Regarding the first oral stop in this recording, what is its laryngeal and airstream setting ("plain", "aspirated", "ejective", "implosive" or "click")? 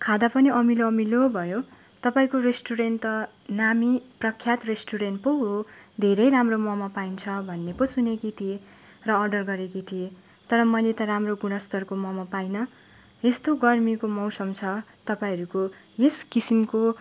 aspirated